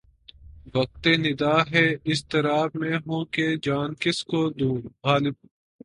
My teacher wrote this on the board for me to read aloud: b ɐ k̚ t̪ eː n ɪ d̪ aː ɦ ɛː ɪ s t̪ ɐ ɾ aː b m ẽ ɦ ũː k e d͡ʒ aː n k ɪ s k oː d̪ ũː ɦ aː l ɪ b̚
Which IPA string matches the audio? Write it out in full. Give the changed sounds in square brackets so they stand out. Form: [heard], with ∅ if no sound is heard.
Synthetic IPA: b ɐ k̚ t̪ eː n ɪ d̪ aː ɦ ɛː ɪ s t̪ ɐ ɾ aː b m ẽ ɦ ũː k e d͡ʒ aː n k ɪ s k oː d̪ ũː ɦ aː l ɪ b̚

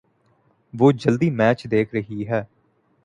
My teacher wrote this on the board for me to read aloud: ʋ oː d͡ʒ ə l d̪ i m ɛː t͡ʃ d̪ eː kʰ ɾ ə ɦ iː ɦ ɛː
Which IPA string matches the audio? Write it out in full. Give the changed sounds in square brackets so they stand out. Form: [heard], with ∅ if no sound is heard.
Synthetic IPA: ʋ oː d͡ʒ ə l d̪ [iː] m ɛː t͡ʃ d̪ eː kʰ ɾ ə ɦ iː ɦ ɛː

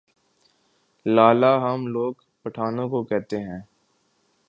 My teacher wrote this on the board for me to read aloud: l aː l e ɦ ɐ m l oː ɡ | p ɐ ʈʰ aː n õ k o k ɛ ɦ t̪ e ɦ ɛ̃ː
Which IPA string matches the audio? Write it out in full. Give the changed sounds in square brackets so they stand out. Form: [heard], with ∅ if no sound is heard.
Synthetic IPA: l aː l [a] ɦ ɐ m l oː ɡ | p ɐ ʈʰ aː n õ k o k ɛ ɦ t̪ e ɦ ɛ̃ː

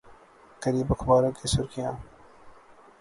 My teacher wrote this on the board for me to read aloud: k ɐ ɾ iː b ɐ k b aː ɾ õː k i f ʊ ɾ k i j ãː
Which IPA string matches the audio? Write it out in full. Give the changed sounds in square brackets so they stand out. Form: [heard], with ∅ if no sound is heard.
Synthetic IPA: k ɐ ɾ iː b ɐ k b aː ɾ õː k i [s] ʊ ɾ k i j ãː

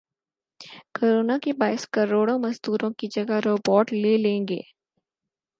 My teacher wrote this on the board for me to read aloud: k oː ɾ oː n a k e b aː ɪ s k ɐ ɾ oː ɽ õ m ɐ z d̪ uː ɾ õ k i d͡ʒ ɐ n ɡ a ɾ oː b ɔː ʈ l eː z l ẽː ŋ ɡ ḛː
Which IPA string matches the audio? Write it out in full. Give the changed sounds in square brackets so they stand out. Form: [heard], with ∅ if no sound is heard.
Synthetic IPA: k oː ɾ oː n a k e b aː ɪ s k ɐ ɾ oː ɽ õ m ɐ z d̪ uː ɾ õ k i d͡ʒ ɐ [∅] ɡ a ɾ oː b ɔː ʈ l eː [∅] l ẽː ŋ ɡ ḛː

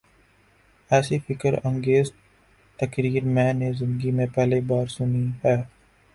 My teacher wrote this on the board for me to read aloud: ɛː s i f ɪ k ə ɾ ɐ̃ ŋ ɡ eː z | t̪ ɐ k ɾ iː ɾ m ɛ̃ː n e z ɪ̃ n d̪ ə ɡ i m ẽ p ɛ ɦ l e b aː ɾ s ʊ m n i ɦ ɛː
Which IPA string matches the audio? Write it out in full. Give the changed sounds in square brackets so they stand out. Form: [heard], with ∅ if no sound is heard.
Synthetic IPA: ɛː s i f ɪ k ə ɾ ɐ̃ ŋ ɡ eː z | t̪ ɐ k ɾ iː ɾ m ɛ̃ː n e z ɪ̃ n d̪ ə ɡ i m ẽ p ɛ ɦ l e b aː ɾ s ʊ [∅] n i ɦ ɛː

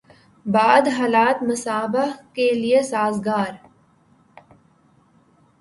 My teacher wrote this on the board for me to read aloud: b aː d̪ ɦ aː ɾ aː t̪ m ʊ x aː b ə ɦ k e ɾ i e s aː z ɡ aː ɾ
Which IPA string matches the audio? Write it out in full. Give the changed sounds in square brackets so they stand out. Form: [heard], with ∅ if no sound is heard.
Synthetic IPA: b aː d̪ ɦ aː [l] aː t̪ m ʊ [s] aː b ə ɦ k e [l] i e s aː z ɡ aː ɾ

